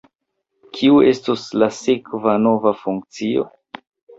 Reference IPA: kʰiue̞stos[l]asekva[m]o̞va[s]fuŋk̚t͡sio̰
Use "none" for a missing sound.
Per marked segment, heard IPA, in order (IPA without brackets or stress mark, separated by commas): l, n, none